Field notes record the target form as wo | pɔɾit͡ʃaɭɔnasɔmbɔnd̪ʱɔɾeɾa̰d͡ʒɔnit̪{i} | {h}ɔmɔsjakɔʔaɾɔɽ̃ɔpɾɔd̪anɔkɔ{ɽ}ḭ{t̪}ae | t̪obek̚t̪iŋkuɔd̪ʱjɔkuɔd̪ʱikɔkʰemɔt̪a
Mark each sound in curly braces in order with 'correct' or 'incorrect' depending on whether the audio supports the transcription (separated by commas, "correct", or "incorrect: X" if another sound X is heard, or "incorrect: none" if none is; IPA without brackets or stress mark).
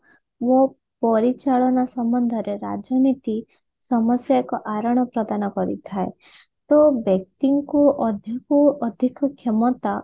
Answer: correct, incorrect: s, incorrect: ɾ, incorrect: t̪ʰ